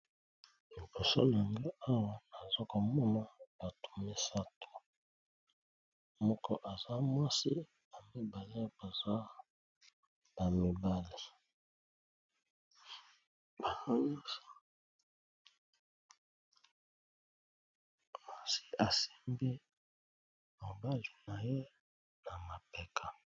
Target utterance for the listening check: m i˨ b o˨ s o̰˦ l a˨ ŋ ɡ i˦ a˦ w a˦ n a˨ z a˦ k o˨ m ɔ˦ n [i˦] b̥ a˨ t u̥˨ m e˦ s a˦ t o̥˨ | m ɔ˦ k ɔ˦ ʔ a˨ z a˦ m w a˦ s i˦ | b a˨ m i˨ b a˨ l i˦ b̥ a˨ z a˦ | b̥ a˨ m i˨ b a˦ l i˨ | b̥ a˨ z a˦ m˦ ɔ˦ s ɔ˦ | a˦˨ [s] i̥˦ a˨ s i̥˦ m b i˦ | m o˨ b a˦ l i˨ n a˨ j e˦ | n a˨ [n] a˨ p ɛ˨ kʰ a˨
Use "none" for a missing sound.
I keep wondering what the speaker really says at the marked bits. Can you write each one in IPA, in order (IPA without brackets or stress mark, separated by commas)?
a˦, s, m